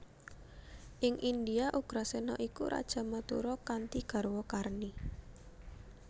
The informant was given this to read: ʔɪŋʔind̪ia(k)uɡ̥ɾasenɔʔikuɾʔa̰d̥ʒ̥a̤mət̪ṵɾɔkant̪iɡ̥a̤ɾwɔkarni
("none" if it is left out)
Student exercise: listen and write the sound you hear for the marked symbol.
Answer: ʔ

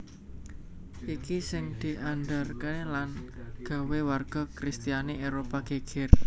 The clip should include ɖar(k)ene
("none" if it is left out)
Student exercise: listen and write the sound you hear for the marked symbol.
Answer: k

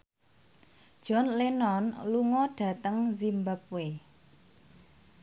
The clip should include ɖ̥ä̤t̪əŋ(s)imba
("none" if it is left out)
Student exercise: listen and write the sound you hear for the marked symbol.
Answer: z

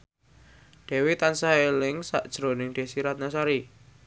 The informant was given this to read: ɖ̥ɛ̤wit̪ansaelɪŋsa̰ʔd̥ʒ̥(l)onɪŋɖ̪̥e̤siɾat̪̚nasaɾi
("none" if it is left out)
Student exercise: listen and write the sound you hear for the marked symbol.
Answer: ɾ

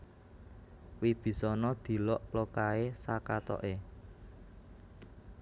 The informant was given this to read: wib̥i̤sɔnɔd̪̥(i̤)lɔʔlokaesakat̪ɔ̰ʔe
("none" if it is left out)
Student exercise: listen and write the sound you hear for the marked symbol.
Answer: i̤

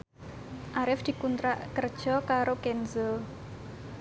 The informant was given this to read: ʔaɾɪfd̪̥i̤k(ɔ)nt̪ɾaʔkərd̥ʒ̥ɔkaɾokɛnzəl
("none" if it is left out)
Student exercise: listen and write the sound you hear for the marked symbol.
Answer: u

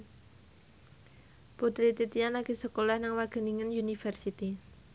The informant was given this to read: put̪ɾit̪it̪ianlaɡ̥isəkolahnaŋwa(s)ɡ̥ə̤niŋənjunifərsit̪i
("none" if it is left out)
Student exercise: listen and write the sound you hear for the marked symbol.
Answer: none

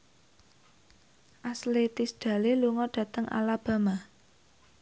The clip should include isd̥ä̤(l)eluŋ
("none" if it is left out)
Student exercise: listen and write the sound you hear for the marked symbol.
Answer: l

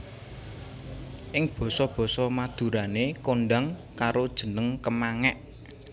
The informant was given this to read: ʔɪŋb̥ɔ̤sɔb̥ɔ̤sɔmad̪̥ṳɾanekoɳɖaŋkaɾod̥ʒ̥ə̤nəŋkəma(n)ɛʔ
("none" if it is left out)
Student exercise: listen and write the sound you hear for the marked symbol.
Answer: ŋ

